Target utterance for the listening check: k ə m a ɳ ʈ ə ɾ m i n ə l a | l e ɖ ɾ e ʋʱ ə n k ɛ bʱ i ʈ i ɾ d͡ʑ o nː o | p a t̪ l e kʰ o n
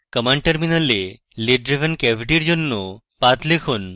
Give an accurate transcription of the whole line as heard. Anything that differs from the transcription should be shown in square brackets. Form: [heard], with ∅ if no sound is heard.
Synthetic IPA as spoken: k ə m a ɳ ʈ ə ɾ m i n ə l [e] | l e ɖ ɾ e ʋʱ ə n k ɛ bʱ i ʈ i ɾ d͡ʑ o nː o | p a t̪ l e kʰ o n